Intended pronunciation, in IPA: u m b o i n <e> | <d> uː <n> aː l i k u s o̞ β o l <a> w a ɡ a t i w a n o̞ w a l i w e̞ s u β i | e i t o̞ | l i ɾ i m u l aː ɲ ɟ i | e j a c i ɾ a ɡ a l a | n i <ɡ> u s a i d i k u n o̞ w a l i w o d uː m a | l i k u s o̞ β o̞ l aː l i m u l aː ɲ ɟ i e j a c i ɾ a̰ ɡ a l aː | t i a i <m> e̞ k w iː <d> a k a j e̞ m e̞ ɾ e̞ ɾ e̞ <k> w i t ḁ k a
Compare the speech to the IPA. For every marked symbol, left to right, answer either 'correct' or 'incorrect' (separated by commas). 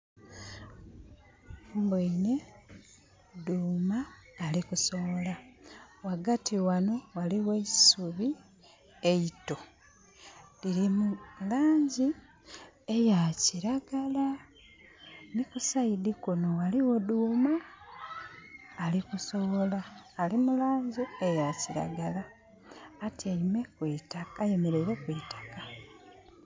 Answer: correct, correct, incorrect, correct, incorrect, correct, incorrect, correct